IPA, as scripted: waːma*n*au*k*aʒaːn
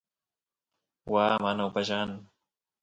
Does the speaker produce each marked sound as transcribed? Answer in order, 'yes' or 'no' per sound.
yes, no

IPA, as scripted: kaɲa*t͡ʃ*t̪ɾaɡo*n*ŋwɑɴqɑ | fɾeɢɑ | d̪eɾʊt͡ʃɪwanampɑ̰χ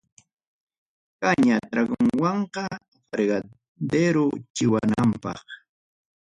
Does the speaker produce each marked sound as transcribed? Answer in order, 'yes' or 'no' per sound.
no, no

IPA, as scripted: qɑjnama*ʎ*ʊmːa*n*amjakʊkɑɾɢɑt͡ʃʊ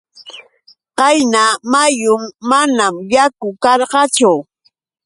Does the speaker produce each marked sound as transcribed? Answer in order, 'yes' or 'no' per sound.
no, yes

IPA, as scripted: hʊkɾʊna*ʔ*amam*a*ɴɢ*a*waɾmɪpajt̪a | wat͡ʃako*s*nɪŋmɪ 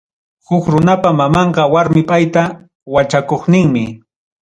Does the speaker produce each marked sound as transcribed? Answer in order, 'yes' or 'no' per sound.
no, no, no, no

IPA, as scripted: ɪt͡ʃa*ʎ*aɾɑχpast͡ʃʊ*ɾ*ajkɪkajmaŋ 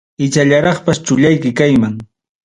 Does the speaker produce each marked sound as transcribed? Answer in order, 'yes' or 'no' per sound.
yes, no

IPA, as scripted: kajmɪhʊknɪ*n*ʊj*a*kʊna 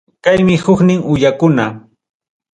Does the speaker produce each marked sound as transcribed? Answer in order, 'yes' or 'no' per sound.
no, yes

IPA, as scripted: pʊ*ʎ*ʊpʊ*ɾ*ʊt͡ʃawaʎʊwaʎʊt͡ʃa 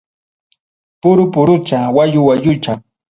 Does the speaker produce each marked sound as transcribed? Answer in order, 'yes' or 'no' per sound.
no, yes

